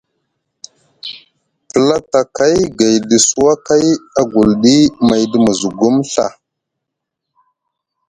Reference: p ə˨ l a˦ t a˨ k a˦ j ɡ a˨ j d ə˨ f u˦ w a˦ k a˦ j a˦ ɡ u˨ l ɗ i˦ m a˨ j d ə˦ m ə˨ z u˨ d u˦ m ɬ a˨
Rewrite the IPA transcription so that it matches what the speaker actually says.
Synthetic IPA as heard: p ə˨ l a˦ t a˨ k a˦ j ɡ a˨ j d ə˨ s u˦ w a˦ k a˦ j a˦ ɡ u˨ l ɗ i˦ m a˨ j d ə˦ m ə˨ z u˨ ɡ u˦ m ɬ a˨